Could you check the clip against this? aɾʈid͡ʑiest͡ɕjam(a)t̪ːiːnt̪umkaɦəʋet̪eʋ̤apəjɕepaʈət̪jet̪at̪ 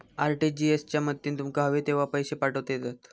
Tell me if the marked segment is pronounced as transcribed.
no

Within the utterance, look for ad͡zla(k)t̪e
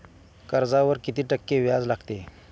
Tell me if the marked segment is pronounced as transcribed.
no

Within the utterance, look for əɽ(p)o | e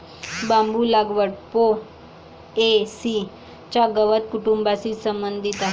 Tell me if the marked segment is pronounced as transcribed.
yes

